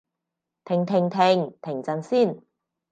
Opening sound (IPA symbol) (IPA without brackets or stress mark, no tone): t̪ʰ